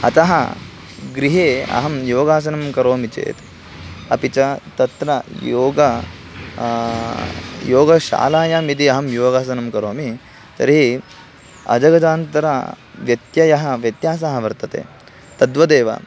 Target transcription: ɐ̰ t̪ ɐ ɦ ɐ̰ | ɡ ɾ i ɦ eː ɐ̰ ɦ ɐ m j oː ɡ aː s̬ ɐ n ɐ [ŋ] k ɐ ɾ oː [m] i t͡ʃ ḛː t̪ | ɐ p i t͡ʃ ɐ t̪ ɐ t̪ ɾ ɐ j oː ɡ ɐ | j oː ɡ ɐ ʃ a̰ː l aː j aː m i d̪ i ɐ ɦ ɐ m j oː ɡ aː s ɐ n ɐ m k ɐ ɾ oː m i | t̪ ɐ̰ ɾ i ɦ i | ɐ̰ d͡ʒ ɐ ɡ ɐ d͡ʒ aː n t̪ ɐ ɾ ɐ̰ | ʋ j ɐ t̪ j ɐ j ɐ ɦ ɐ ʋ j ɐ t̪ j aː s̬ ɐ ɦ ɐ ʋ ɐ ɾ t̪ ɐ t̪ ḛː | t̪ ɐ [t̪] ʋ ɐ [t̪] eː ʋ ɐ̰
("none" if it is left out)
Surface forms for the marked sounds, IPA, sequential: m, m, d̪, d̪

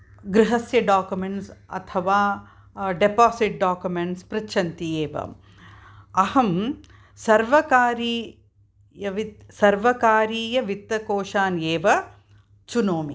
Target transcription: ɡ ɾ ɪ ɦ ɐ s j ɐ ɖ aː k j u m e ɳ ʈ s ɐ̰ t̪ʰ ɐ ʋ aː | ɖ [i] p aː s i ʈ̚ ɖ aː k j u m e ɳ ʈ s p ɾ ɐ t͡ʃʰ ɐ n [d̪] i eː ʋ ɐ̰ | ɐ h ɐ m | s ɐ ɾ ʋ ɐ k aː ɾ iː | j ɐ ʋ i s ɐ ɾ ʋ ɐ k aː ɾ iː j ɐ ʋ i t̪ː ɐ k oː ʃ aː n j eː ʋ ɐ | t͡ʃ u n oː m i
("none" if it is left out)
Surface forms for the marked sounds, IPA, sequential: e, t̪

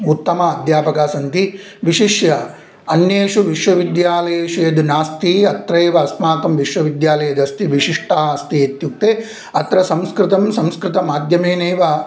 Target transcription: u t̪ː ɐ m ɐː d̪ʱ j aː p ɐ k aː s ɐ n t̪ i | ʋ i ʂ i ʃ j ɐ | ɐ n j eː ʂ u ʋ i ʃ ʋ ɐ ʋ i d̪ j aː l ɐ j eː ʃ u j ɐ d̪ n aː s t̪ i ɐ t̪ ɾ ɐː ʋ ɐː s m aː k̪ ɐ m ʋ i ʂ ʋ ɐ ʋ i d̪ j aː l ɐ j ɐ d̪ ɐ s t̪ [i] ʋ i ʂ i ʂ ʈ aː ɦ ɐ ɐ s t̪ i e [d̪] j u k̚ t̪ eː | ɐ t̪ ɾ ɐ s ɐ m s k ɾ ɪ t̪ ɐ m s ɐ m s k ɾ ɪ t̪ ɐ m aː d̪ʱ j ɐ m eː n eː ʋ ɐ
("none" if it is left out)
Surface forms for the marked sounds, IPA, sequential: i, t̪

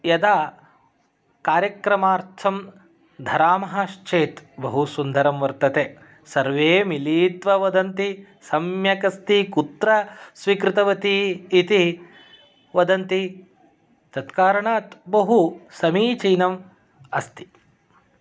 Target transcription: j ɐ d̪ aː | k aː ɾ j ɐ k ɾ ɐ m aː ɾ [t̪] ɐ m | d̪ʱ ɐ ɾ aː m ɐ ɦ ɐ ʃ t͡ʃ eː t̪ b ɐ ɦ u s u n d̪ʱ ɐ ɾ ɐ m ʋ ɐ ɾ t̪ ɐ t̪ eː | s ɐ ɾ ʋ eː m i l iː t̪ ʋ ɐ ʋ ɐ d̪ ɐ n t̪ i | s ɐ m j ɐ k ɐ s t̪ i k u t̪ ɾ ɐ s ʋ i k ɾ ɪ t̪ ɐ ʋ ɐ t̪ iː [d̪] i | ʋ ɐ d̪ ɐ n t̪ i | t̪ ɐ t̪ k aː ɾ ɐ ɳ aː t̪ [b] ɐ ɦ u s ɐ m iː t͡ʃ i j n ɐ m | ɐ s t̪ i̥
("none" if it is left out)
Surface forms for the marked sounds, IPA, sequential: t̪ʰ, t̪, b

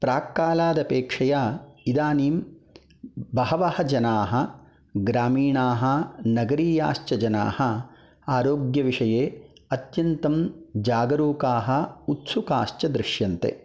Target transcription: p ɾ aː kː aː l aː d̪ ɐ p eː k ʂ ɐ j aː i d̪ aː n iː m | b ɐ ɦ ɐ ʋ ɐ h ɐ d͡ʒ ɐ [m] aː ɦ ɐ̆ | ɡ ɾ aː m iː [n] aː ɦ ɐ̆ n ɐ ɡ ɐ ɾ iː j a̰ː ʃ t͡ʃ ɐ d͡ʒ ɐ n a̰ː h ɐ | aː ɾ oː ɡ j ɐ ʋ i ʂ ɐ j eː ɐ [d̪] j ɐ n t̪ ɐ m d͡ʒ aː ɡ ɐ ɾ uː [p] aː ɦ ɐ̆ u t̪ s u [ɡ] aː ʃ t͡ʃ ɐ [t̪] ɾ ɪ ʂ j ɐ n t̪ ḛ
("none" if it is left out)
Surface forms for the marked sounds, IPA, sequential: n, ɳ, t̪, k, k, d̪

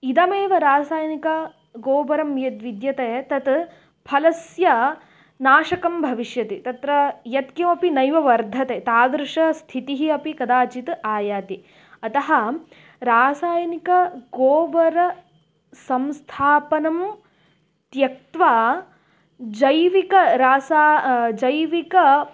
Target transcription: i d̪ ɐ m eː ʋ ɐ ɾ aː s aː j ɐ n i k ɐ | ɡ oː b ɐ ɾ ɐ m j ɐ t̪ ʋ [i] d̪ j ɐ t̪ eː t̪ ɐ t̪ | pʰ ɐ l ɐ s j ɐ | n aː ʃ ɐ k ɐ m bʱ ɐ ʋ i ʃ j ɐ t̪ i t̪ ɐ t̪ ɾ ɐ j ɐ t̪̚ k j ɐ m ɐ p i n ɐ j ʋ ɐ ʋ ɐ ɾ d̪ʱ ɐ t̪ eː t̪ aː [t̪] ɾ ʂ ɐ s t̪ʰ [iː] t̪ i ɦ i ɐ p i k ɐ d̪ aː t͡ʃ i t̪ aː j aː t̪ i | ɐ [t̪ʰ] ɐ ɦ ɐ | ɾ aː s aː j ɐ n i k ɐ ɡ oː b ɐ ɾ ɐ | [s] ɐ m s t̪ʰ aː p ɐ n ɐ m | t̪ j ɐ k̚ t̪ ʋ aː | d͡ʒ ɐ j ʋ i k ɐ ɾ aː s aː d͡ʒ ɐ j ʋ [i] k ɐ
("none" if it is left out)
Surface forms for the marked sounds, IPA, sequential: i, d̪, i, t̪, s, i

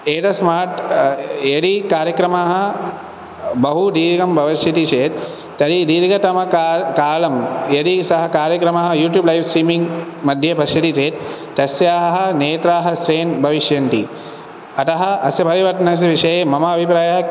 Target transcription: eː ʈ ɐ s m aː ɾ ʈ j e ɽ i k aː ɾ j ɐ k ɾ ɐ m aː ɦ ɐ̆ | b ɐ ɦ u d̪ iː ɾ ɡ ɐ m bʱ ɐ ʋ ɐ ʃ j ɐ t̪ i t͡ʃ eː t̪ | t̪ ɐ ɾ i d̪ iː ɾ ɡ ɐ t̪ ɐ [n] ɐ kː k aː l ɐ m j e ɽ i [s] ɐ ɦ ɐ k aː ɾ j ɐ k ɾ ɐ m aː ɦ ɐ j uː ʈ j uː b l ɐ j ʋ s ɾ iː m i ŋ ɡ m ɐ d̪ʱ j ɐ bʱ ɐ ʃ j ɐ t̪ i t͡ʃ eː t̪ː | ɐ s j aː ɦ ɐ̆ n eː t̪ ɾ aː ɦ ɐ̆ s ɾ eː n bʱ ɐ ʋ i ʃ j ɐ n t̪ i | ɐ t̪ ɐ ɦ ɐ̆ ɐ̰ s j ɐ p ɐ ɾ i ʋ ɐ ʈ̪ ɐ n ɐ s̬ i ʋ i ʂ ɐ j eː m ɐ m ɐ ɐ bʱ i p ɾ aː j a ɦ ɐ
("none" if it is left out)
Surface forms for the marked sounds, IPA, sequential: m, s

